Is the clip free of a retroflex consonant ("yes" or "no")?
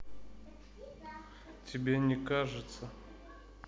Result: no